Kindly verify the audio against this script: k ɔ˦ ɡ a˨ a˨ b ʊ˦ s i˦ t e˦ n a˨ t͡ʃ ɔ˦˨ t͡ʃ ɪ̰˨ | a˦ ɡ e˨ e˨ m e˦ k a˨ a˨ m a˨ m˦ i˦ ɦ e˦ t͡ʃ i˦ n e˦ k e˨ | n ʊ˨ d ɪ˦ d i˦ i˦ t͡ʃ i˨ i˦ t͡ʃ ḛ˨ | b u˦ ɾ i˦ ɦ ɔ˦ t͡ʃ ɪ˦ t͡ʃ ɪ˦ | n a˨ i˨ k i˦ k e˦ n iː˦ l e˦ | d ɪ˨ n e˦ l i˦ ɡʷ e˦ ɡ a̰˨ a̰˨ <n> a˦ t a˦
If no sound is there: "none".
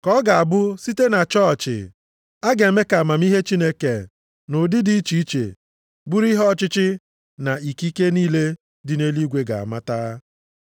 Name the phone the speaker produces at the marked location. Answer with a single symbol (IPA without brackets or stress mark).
m